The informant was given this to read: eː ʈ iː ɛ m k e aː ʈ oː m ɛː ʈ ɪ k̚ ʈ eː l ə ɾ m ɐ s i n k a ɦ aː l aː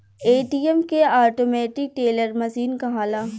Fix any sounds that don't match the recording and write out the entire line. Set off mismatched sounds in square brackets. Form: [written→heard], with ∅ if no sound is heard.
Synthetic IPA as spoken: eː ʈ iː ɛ m k e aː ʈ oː m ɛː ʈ ɪ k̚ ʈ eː l ə ɾ m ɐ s [i→iː] n k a ɦ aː l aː